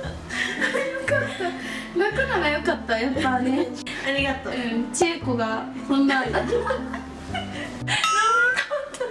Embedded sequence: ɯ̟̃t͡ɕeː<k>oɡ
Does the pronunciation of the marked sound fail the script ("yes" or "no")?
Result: no